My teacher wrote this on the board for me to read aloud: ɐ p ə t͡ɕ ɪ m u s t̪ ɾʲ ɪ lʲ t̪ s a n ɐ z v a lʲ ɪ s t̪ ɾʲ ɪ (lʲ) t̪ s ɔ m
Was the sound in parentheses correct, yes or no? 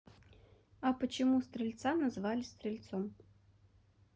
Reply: yes